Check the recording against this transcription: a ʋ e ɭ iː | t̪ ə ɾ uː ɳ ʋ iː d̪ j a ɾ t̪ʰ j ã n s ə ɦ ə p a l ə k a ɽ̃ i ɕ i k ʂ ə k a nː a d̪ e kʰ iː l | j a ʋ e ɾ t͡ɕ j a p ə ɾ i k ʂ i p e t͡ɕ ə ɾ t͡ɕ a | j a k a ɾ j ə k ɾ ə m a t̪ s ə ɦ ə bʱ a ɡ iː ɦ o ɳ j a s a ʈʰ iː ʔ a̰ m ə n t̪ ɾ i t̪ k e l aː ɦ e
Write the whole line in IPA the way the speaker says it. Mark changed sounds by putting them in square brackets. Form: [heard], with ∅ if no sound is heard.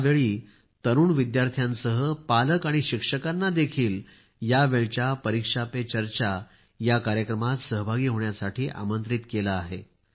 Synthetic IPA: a ʋ e ɭ iː | t̪ ə ɾ uː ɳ ʋ [i] d̪ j a ɾ t̪ʰ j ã n s ə ɦ ə p a l ə k a ɽ̃ i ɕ i k ʂ ə k a nː a d̪ e kʰ iː l | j a ʋ e [ɭ] t͡ɕ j a p ə ɾ i k ʂ [a] p e t͡ɕ ə ɾ t͡ɕ a | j a k a ɾ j ə k ɾ ə m a t̪ s ə ɦ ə bʱ a ɡ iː ɦ o ɳ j a s a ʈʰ iː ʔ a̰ m ə n t̪ ɾ i t̪ k e l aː ɦ e